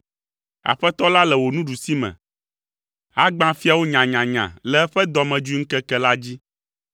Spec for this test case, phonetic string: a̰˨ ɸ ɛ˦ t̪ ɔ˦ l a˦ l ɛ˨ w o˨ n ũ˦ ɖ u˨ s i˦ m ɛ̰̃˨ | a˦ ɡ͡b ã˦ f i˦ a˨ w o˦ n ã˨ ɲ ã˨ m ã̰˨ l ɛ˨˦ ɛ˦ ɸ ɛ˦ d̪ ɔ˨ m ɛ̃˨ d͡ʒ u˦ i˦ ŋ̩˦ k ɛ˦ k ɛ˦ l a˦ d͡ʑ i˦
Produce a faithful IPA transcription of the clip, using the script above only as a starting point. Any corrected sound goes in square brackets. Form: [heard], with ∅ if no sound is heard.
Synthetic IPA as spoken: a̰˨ ɸ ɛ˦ t̪ ɔ˦ l a˦ l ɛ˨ w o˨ n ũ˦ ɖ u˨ s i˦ m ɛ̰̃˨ | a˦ ɡ͡b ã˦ f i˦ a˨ w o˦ [ɲ] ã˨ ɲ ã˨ [ɲ] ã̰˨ l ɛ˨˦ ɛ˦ ɸ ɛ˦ d̪ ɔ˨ m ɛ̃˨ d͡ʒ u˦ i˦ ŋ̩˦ k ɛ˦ k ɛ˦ l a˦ d͡ʑ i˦

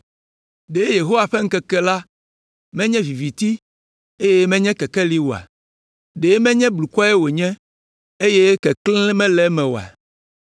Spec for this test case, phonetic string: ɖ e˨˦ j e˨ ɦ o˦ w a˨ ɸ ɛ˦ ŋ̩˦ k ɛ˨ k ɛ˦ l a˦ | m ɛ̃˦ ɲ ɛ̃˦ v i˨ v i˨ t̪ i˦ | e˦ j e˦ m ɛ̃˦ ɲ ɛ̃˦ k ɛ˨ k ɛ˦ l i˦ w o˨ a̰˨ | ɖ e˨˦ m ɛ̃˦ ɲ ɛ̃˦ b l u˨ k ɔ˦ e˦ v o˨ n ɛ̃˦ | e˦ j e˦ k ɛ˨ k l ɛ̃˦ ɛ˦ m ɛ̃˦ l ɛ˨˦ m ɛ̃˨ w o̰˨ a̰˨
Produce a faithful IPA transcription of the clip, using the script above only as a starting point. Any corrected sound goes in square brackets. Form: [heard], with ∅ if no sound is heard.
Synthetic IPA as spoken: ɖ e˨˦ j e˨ ɦ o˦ w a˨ ɸ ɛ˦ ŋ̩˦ k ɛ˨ k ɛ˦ l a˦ | m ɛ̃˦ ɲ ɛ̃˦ v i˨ v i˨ t̪ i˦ | e˦ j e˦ m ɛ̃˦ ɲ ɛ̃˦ k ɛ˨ k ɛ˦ l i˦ w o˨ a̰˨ | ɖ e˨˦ m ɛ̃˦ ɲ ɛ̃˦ b l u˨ k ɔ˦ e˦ [w] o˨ [ɲ] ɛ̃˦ | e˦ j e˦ k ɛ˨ k l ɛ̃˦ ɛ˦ m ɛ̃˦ l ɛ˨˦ m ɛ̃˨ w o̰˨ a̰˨

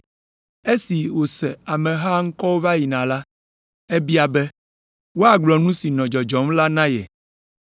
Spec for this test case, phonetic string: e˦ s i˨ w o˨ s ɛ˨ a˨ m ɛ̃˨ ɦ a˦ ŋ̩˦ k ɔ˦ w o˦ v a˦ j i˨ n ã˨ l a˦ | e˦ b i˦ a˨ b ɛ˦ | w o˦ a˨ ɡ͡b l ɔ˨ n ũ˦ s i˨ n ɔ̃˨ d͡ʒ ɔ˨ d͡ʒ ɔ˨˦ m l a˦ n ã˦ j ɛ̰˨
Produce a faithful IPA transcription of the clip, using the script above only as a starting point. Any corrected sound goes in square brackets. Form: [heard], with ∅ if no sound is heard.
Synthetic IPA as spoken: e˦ s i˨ w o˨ s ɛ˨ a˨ m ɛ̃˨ ɦ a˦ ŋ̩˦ k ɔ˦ w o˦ v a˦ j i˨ n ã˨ l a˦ | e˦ b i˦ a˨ b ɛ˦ | w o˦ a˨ ɡ͡b l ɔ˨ n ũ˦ s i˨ n ɔ̃˨ d͡ʒ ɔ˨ d͡ʒ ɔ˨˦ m l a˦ n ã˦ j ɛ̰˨

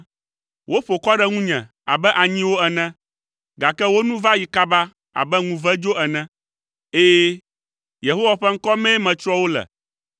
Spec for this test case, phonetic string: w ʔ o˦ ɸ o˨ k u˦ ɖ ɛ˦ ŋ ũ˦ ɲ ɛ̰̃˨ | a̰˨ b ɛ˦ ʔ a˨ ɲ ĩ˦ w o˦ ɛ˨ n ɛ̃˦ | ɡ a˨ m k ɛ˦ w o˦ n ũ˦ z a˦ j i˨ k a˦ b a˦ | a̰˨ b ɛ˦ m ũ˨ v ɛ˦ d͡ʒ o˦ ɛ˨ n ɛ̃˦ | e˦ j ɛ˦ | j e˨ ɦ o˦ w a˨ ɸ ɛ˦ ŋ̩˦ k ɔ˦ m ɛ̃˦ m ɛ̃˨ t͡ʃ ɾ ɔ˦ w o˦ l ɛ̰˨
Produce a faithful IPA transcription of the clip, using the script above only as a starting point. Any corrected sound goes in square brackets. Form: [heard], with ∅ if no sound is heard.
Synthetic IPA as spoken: w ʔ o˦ ɸ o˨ k [ɔ˦] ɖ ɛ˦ ŋ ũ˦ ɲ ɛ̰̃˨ | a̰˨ b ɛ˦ ʔ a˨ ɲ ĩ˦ w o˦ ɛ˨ n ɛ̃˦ | ɡ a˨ [∅] k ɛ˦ w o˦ n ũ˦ [v] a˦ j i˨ k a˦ b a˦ | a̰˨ b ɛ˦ [ŋ] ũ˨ v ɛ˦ d͡ʒ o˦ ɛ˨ n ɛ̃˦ | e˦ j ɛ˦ | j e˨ ɦ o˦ w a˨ ɸ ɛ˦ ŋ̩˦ k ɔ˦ m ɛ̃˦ m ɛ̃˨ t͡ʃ ɾ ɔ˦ w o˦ l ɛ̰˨

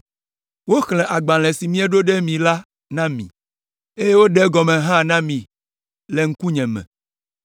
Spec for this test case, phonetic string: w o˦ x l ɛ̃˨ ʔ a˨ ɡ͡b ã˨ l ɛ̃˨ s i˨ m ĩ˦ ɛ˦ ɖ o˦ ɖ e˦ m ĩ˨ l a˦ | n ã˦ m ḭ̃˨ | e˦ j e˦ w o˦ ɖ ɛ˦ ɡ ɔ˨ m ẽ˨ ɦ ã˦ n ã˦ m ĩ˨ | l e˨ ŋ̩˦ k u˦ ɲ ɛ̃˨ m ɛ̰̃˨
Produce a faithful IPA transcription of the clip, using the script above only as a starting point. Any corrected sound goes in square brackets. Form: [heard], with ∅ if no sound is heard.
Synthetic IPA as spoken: w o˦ x l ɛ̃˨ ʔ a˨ ɡ͡b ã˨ l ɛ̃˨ s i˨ m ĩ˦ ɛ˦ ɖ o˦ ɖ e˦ m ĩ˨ l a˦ | n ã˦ m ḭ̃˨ | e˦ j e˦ w o˦ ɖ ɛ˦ ɡ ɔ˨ m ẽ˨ ɦ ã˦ n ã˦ m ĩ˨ | l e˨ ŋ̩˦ k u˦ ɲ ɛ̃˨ m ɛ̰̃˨

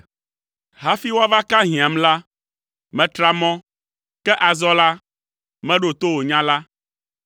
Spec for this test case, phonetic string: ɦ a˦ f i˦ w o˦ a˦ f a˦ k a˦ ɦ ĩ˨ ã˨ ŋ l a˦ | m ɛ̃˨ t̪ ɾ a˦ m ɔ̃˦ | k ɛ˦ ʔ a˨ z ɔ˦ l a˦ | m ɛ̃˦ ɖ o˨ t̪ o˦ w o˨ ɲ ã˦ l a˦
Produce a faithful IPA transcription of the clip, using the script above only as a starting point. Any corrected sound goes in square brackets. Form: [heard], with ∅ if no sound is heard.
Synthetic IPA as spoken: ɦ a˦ f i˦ w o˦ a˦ [v] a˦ k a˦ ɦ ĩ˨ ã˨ [m] l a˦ | m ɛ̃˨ t̪ ɾ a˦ m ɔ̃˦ | k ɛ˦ ʔ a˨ z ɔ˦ l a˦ | m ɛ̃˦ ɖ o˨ t̪ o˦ w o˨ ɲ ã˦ l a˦

